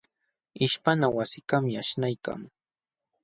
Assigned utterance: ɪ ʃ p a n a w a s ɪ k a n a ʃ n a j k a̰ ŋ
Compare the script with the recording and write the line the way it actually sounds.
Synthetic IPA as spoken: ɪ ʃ p a n a w a s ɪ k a m a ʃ n a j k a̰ ŋ